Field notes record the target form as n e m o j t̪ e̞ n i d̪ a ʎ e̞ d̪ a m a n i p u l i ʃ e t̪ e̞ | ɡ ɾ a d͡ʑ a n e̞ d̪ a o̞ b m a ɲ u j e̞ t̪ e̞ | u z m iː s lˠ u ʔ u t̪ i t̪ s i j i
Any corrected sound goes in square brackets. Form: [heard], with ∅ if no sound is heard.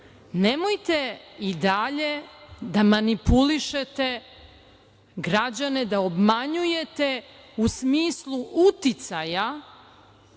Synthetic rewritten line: n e m o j t̪ e̞ [∅] i d̪ a ʎ e̞ d̪ a m a n i p u l i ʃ e t̪ e̞ | ɡ ɾ a d͡ʑ a n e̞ d̪ a o̞ b m a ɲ u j e̞ t̪ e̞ | u [s] m iː s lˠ u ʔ u t̪ i t̪ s [a] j [a]